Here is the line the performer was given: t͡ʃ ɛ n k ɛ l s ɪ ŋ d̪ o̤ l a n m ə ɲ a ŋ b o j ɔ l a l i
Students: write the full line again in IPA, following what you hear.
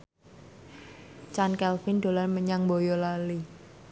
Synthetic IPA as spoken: t͡ʃ a n k ɛ l f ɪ n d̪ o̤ l a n m ə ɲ a ŋ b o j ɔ l a l i